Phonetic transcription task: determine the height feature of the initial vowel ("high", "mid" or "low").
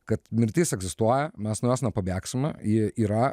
low